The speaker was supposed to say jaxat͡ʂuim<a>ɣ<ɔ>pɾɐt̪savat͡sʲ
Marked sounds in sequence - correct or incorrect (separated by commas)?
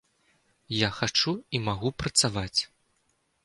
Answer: correct, incorrect